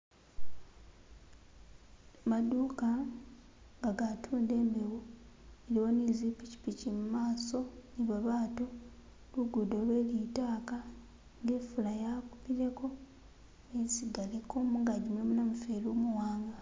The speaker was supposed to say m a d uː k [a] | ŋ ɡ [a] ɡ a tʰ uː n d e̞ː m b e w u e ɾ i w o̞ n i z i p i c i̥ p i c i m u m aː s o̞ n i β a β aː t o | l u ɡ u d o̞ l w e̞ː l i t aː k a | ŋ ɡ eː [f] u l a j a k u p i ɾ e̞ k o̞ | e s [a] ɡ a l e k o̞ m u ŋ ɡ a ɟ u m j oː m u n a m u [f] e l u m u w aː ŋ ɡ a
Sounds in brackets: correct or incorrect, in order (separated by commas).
correct, correct, correct, incorrect, correct